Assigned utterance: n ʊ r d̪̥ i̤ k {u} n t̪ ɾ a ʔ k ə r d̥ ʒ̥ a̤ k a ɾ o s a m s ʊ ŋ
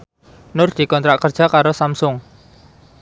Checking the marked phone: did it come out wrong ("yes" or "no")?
yes